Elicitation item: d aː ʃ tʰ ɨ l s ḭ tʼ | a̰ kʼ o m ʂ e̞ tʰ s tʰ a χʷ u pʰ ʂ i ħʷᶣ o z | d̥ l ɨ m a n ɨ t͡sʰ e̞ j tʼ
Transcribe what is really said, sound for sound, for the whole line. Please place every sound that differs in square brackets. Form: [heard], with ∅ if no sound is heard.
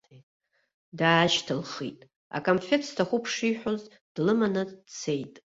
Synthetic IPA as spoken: d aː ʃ tʰ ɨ l [χ] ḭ tʼ | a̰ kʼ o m [f] e̞ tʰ s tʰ a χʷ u pʰ ʂ i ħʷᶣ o z | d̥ l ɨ m a n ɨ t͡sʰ e̞ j tʼ